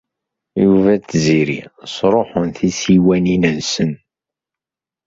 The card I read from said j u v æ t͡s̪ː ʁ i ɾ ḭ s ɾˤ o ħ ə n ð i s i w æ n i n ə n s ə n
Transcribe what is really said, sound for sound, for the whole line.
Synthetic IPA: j u v æ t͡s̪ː z i ɾ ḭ s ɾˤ o ħ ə n θ i s i w æ n i n ə n s ə n